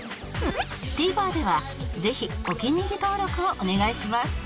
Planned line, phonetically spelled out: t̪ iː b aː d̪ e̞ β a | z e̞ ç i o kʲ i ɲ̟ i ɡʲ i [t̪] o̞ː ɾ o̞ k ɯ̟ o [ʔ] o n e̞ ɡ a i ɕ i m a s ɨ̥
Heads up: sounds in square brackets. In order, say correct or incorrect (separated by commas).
correct, correct